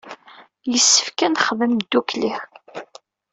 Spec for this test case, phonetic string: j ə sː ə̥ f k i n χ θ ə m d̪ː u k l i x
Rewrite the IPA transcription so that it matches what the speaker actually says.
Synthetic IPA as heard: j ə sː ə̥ f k æ n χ ð ə m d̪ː u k l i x